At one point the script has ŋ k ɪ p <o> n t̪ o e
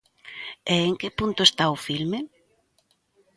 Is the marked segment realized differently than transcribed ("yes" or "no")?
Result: yes